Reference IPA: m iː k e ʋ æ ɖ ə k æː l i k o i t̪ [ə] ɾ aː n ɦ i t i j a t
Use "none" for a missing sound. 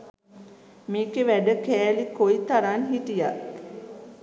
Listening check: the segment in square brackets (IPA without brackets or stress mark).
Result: a